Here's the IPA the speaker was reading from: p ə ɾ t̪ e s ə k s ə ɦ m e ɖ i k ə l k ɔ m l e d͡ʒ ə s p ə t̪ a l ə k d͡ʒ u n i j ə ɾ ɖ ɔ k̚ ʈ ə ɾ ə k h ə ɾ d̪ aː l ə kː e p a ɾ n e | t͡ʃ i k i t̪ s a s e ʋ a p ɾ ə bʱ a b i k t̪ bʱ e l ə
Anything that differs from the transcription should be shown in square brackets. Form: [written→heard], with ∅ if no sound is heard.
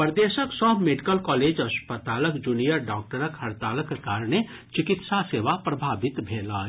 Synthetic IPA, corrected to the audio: p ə ɾ [t̪→d̪] e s ə k s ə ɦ m e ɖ i k ə l k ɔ [m→∅] l e d͡ʒ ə s p ə t̪ a l ə k d͡ʒ u n i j ə ɾ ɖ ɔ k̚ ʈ ə ɾ ə k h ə ɾ [d̪→t̪] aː l ə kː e [p→k] a ɾ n e | t͡ʃ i k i t̪ s a s e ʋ a p ɾ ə bʱ a b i [k→∅] t̪ bʱ e l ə